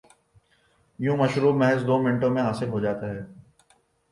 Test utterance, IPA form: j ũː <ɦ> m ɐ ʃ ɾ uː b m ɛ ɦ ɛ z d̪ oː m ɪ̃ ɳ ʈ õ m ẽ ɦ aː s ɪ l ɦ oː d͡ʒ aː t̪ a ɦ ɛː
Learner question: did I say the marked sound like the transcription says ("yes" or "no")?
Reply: no